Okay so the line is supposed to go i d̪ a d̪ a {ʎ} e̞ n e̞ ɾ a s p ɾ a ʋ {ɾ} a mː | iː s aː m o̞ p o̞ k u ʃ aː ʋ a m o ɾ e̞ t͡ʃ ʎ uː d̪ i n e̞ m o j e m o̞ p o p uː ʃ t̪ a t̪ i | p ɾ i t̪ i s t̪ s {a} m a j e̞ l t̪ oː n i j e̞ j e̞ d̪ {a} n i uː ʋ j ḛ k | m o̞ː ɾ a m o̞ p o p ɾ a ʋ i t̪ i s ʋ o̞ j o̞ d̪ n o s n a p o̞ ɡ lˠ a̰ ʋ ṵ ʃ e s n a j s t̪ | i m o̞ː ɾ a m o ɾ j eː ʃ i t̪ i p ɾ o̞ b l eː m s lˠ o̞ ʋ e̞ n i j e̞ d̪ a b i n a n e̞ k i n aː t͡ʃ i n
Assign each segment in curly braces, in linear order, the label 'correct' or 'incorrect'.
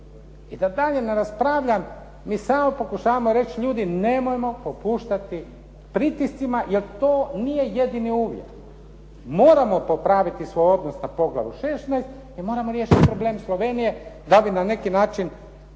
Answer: correct, incorrect: ʎ, incorrect: i, incorrect: i

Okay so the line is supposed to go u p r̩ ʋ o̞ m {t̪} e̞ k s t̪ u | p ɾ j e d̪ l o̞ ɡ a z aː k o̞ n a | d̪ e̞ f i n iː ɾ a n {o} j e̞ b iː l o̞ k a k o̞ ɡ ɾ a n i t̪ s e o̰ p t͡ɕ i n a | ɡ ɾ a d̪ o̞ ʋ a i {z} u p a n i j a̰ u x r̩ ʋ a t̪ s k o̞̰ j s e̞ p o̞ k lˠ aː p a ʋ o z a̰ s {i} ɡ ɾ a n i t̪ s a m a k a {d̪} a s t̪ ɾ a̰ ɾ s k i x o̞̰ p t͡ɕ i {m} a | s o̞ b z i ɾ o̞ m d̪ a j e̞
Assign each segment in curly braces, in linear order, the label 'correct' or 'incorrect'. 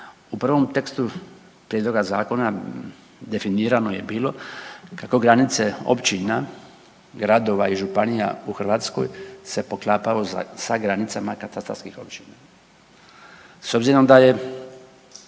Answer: correct, correct, incorrect: ʒ, incorrect: a, incorrect: t̪, incorrect: n

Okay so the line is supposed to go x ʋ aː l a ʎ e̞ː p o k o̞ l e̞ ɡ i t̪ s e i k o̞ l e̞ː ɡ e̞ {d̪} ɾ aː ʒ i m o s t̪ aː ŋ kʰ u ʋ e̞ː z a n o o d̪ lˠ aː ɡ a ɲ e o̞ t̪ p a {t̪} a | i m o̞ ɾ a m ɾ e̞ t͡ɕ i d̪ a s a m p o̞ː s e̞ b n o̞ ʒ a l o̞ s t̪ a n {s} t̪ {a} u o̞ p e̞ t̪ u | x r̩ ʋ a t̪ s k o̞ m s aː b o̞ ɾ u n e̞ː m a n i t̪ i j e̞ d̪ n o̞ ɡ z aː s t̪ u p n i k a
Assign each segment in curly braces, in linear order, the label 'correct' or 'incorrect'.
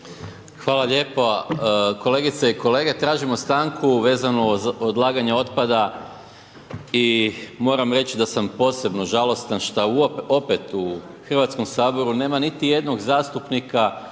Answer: incorrect: t̪, incorrect: d̪, incorrect: ʃ, correct

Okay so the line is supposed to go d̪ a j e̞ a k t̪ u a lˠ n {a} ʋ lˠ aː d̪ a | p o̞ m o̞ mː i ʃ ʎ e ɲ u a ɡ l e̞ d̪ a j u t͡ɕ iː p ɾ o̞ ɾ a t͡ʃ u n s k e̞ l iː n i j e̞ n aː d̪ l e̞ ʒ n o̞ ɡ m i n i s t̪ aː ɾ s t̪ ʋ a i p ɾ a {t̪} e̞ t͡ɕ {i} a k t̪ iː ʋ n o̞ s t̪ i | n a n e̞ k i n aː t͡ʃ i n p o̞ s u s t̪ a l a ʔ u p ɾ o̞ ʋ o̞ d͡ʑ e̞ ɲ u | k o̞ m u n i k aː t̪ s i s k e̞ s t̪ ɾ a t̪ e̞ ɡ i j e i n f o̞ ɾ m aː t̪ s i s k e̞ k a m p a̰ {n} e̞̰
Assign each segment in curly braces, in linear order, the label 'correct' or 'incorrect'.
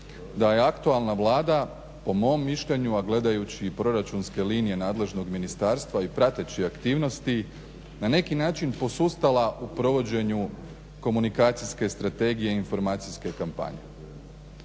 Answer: correct, correct, correct, incorrect: ɲ

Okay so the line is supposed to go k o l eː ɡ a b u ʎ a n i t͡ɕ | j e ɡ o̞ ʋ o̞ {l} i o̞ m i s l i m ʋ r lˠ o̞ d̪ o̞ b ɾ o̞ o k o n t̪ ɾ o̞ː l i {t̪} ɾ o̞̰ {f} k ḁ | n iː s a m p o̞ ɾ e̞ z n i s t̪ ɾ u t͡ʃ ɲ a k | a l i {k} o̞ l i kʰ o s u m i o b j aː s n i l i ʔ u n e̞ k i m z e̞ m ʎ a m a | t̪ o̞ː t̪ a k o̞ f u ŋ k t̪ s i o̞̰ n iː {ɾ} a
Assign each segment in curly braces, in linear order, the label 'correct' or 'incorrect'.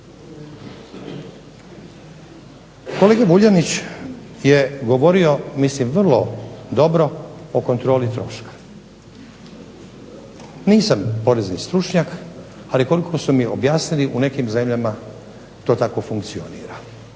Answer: incorrect: ɾ, correct, incorrect: ʃ, correct, correct

